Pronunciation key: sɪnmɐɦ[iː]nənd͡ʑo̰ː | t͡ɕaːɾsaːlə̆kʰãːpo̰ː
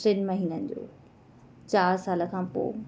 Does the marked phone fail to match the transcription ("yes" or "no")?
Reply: no